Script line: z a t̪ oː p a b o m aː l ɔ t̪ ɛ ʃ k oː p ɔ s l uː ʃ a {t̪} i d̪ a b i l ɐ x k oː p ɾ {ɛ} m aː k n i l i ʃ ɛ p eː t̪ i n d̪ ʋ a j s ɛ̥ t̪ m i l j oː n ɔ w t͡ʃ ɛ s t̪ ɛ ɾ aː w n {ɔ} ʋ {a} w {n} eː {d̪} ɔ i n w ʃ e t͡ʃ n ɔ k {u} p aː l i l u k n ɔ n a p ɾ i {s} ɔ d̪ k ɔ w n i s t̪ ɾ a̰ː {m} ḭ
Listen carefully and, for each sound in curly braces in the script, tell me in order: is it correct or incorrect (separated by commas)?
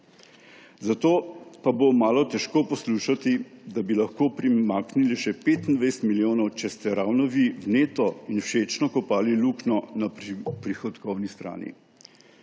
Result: correct, incorrect, correct, incorrect, correct, incorrect, incorrect, incorrect, incorrect